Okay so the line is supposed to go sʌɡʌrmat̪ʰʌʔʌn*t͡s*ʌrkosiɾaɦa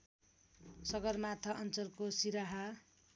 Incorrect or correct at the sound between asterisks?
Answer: correct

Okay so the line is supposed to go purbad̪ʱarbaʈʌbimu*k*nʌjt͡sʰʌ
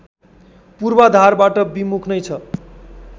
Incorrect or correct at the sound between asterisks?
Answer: incorrect: kʰ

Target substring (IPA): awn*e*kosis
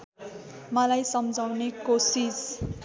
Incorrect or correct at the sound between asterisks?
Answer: correct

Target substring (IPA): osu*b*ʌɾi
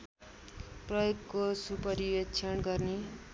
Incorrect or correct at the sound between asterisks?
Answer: incorrect: p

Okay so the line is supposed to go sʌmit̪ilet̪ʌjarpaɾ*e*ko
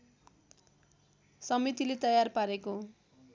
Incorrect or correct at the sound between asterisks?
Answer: correct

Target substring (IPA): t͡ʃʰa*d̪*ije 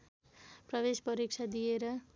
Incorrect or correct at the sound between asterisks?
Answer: correct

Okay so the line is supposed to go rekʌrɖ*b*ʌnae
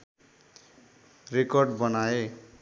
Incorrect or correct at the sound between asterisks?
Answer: correct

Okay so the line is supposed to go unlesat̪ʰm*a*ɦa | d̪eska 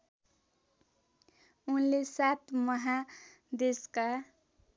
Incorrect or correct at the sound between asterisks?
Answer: incorrect: ʌ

